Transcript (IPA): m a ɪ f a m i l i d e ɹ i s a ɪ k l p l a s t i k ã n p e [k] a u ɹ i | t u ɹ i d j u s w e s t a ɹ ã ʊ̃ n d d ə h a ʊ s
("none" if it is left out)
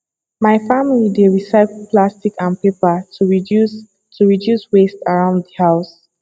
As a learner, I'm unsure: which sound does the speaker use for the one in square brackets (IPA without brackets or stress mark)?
p